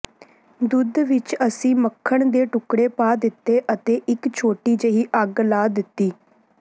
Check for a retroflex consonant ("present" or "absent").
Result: present